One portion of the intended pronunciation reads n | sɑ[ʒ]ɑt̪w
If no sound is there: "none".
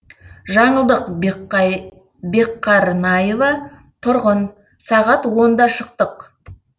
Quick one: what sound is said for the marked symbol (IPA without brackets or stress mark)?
ʁ